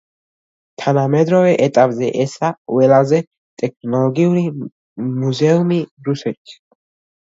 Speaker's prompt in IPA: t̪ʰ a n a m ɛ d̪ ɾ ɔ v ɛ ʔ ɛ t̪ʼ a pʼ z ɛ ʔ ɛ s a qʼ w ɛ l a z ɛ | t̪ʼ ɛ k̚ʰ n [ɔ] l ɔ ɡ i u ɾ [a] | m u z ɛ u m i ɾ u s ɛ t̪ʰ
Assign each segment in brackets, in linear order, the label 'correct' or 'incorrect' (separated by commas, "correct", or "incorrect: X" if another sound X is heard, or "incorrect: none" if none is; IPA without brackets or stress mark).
correct, incorrect: i